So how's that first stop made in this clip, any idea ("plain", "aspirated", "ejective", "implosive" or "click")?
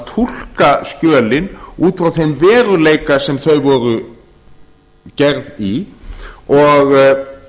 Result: aspirated